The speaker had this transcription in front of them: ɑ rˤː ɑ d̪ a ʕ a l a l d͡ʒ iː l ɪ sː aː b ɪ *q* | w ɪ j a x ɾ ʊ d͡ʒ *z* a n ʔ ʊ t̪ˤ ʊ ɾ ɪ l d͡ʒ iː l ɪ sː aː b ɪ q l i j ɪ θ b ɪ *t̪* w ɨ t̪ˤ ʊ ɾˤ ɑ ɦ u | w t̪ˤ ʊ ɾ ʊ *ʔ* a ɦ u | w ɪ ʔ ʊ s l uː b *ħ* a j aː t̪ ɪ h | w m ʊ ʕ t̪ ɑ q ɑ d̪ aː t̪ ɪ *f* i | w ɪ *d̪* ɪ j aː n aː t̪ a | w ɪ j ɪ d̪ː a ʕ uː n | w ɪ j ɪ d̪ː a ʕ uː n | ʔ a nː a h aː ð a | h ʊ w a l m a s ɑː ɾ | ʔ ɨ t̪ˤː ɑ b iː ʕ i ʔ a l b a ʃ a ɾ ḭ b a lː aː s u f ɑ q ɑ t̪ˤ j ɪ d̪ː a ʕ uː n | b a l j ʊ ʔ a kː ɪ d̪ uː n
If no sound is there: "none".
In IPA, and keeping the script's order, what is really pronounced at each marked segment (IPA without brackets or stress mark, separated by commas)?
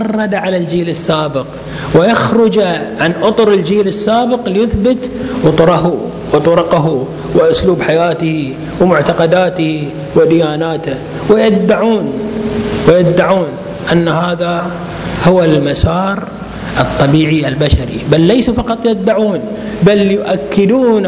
q, ʕ, t̪, q, ħ, h, d̪